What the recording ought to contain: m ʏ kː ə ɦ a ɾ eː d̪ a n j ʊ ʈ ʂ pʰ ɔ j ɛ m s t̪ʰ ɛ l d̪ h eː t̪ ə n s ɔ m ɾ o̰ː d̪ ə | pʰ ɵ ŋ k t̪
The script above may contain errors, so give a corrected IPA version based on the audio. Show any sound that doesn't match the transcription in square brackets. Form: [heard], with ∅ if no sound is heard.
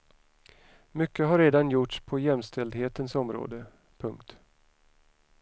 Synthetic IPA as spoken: m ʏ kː ə ɦ a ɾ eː d̪ a n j ʊ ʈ ʂ pʰ ɔ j ɛ m s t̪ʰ ɛ l d̪ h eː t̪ ə n s ɔ m ɾ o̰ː d̪ ə | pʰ ɵ ŋ k t̪